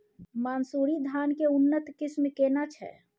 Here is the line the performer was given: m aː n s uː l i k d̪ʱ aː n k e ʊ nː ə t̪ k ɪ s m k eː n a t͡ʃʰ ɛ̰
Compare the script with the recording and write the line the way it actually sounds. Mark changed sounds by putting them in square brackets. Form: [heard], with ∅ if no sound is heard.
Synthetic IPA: m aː n s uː [ɾ] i [∅] d̪ʱ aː n k e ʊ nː ə t̪ k ɪ s m k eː n a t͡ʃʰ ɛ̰